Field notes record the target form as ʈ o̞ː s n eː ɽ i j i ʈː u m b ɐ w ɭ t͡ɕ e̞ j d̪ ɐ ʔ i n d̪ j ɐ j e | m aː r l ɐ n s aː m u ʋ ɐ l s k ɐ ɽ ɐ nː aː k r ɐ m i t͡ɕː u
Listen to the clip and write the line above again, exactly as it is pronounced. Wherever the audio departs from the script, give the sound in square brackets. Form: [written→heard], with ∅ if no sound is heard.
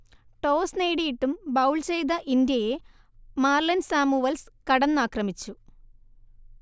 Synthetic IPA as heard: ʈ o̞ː s n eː ɽ i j i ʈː u m b ɐ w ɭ t͡ɕ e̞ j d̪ ɐ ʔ i n d̪ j ɐ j e | m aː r l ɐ n s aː m u ʋ ɐ l s k ɐ ɽ ɐ nː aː k r ɐ m i t͡ɕː u

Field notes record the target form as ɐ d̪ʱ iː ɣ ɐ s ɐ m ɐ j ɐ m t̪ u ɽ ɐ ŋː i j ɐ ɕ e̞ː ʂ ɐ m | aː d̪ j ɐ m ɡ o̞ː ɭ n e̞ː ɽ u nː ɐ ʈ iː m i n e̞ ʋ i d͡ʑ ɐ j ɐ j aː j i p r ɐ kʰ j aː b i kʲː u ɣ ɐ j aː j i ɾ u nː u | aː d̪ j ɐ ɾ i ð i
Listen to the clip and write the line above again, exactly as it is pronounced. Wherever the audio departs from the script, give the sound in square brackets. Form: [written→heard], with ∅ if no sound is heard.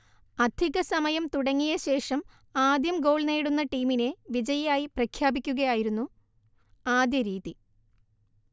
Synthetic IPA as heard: ɐ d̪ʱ [iː→i] ɣ ɐ s ɐ m ɐ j ɐ m t̪ u ɽ ɐ ŋː i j ɐ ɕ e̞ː ʂ ɐ m | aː d̪ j ɐ m ɡ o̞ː ɭ n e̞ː ɽ u nː ɐ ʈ iː m i n e̞ ʋ i d͡ʑ ɐ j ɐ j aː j i p r ɐ kʰ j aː b i kʲː u ɣ ɐ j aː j i ɾ u nː u | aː d̪ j ɐ ɾ [i→iː] ð i

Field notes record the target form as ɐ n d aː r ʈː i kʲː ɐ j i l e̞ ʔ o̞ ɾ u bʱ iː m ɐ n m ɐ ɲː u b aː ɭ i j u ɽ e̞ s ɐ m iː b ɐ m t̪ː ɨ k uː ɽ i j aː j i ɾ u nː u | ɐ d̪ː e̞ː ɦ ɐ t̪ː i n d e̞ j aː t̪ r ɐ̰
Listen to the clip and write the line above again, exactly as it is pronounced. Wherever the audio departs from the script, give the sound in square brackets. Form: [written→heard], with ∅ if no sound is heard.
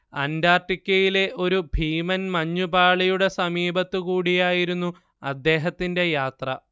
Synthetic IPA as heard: ɐ n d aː r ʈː i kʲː ɐ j i l e̞ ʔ o̞ ɾ u bʱ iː m ɐ n m ɐ ɲː u b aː ɭ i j u ɽ e̞ s ɐ m iː b ɐ [m→∅] t̪ː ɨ k uː ɽ i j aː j i ɾ u nː u | ɐ d̪ː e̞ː ɦ ɐ t̪ː i n d e̞ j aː t̪ r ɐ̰

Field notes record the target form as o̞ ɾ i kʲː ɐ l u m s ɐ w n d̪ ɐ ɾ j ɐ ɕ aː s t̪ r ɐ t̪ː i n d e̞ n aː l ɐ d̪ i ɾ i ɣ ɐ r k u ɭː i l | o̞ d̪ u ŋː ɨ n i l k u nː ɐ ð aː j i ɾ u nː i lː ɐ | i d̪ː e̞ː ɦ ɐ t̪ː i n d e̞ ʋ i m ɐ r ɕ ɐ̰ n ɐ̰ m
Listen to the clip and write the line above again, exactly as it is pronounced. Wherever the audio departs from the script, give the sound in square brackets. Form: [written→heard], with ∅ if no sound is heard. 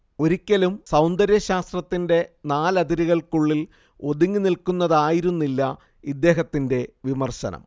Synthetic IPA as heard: o̞ ɾ i kʲː ɐ l u m s ɐ w n d̪ ɐ ɾ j ɐ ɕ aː s t̪ r ɐ t̪ː i n d e̞ n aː l ɐ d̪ i ɾ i ɣ ɐ [r→ɭ] k u ɭː i l | o̞ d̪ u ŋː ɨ n i l k u nː ɐ ð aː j i ɾ u nː i lː ɐ | i d̪ː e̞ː ɦ ɐ t̪ː i n d e̞ ʋ i m ɐ r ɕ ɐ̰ n ɐ̰ m

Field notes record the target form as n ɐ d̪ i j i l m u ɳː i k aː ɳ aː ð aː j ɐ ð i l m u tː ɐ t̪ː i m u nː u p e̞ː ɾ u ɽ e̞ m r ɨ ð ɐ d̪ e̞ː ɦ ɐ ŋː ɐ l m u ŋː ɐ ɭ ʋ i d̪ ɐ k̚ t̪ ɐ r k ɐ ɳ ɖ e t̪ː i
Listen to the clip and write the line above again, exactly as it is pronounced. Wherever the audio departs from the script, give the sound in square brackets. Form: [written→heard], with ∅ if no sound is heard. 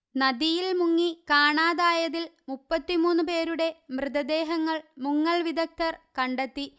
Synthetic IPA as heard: n ɐ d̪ i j i l m u [ɳː→ŋː] i k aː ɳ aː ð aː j ɐ ð i l m u [tː→pː] ɐ t̪ː i m [u→uː] nː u p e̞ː ɾ u ɽ e̞ m r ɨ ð ɐ d̪ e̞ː ɦ ɐ ŋː ɐ [l→ɭ] m u ŋː ɐ ɭ ʋ i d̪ ɐ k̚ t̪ ɐ r k ɐ ɳ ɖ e t̪ː i

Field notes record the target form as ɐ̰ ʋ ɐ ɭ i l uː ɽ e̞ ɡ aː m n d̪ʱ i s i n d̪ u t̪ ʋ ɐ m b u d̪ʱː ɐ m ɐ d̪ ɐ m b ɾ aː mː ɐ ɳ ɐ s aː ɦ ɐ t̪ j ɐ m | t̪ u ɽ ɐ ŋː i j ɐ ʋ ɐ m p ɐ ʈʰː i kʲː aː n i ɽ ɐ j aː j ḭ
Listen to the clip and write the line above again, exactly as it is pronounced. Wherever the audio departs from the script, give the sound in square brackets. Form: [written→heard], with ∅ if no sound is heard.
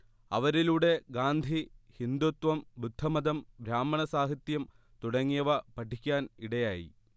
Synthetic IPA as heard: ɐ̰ ʋ ɐ [ɭ→ɾ] i l uː ɽ e̞ ɡ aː [m→∅] n d̪ʱ i [s→h] i n d̪ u t̪ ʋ ɐ m b u d̪ʱː ɐ m ɐ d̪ ɐ m b ɾ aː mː ɐ ɳ ɐ s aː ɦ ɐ t̪ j ɐ m | t̪ u ɽ ɐ ŋː i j ɐ ʋ ɐ [m→∅] p ɐ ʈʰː i kʲː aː n i ɽ ɐ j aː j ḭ

